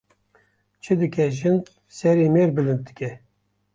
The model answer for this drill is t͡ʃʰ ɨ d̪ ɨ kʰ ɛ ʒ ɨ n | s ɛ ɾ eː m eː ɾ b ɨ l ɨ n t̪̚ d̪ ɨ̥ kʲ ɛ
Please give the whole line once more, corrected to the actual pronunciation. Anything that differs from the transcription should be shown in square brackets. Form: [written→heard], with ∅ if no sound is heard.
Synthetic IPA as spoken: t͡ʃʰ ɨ d̪ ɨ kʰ ɛ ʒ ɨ n | s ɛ ɾ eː m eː ɾ b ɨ l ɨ n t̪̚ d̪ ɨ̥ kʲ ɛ